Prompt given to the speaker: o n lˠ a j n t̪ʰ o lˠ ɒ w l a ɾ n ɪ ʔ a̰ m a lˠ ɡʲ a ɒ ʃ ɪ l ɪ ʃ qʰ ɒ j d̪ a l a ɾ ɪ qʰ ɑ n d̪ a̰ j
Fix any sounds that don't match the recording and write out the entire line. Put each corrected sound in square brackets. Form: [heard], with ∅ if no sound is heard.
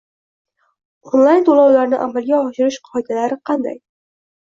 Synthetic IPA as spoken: o n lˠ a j n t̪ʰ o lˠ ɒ w l a ɾ n ɪ ʔ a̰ m a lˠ ɡʲ a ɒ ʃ ɪ [ɾ] ɪ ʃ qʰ ɒ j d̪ a l a ɾ ɪ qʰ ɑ n d̪ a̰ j